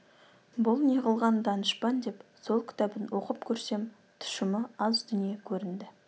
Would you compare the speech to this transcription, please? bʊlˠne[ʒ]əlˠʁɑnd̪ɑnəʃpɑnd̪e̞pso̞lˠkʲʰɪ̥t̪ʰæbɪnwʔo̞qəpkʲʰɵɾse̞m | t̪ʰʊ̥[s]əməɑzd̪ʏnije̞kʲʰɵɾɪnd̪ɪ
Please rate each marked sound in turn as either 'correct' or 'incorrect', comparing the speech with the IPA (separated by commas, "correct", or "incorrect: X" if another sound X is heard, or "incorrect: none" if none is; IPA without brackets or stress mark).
incorrect: ʁ, incorrect: ʃ